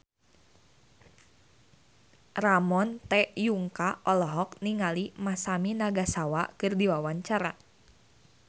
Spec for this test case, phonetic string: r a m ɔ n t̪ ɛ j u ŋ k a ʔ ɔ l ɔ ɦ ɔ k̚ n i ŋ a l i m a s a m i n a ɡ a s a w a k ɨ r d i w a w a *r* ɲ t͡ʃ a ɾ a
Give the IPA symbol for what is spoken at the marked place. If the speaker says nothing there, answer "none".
none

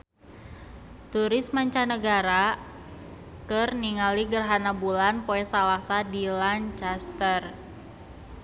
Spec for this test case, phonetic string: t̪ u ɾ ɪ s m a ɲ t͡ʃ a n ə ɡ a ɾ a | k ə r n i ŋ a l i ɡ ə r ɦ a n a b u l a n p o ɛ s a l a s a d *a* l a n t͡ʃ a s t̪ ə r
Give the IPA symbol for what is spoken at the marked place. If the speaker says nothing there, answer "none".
i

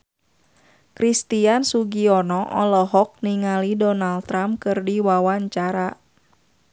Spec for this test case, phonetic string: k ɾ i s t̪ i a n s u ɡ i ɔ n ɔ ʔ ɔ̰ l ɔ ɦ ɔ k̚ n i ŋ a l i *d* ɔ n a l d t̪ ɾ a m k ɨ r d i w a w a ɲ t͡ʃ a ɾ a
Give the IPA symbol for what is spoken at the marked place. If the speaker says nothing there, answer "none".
d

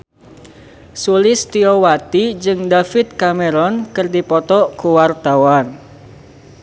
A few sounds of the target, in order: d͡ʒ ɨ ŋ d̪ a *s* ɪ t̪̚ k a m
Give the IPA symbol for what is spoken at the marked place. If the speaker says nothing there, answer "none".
f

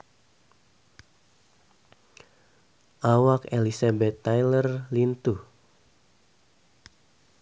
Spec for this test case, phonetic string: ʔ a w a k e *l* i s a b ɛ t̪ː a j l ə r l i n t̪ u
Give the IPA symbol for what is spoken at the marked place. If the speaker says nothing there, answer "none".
l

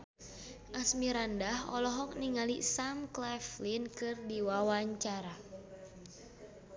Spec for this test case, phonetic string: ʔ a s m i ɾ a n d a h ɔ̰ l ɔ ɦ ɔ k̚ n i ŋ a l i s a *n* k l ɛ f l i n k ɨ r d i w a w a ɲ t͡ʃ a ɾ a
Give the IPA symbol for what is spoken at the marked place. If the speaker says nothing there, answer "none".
m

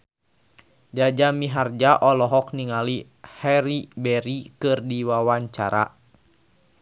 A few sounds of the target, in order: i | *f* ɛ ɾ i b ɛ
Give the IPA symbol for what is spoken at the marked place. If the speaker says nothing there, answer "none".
h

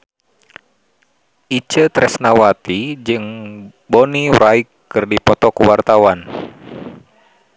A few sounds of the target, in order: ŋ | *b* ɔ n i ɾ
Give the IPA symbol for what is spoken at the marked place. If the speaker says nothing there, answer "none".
b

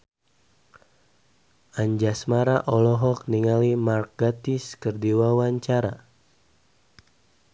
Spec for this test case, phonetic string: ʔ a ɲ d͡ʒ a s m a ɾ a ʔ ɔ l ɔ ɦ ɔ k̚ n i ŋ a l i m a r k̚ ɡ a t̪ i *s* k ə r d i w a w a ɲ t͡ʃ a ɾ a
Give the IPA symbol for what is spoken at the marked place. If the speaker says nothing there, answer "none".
s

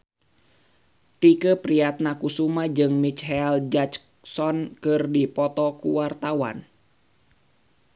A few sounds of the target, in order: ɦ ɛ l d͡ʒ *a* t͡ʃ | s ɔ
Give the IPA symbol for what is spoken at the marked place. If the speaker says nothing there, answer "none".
a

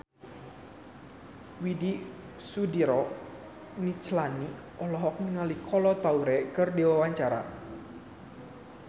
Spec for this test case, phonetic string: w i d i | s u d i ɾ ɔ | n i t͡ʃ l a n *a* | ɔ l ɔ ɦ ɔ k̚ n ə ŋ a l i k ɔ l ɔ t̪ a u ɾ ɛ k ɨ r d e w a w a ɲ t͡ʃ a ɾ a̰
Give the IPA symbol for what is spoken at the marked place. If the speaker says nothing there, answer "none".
i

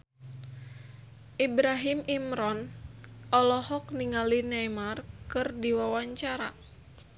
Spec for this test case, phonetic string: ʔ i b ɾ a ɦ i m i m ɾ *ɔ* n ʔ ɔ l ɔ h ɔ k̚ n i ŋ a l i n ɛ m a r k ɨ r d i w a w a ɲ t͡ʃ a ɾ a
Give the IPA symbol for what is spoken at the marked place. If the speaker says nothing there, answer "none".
ɔ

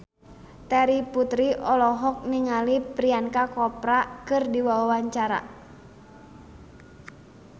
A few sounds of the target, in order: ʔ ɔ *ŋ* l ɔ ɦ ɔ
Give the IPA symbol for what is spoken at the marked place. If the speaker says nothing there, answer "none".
none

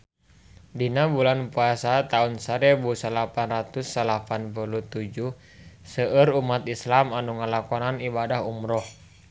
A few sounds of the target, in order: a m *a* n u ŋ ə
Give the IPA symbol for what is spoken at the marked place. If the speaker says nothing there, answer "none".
a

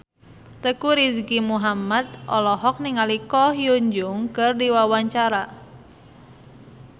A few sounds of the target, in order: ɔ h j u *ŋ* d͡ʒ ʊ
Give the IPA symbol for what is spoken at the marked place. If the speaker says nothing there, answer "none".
ɲ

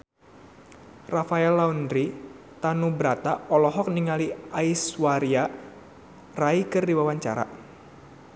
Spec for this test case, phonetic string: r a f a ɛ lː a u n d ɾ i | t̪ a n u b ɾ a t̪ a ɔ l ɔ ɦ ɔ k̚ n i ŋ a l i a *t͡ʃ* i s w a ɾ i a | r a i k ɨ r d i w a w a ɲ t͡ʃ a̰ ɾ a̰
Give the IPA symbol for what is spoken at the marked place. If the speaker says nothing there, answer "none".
none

